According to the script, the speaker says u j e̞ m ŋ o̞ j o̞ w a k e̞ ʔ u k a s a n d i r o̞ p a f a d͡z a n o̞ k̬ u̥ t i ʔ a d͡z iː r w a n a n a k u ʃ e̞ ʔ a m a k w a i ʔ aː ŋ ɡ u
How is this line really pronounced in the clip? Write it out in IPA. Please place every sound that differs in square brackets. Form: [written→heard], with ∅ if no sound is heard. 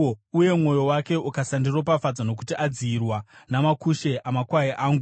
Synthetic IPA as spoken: u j e̞ m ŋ o̞ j o̞ w a k e̞ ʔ u k a s a n d i r o̞ p a f a d͡z a n o̞ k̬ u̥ t i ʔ a d͡z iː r w a n a [n→m] a k u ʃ e̞ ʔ a m a k w a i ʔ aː ŋ ɡ u